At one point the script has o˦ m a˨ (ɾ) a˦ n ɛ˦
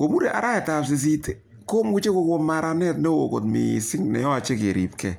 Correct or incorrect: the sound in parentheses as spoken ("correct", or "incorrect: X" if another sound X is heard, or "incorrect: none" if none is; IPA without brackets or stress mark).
correct